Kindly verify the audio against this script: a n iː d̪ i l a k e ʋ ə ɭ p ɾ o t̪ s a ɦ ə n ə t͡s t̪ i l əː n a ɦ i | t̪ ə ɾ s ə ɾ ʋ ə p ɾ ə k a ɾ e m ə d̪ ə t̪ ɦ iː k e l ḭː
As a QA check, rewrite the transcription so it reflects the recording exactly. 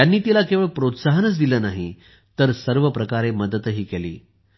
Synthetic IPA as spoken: a nː iː t̪ i l a k e ʋ ə ɭ p ɾ o t̪ s a ɦ ə n ə t͡s d̪ i l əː n a ɦ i | t̪ ə ɾ s ə ɾ ʋ ə p ɾ ə k a ɾ e m ə d̪ ə t̪ ɦ iː k e l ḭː